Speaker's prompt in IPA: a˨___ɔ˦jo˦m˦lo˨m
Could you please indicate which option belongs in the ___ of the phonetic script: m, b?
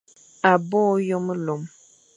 b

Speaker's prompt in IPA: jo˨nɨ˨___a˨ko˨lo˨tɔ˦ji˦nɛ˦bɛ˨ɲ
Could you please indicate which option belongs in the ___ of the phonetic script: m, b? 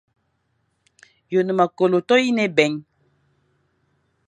m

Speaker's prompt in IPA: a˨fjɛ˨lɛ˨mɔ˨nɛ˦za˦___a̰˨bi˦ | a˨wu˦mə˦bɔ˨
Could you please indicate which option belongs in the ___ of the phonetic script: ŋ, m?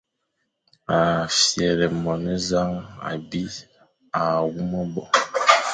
ŋ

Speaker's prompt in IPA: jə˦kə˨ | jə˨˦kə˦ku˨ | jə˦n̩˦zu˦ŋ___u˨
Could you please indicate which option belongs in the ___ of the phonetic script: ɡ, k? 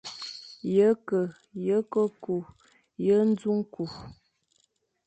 k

